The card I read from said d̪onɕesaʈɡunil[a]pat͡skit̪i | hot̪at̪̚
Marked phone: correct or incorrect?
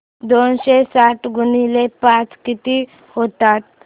incorrect